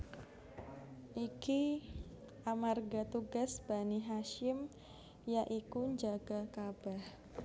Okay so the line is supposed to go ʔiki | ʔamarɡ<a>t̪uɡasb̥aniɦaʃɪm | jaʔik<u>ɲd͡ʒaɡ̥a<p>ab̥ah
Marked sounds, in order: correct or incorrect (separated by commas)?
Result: correct, correct, incorrect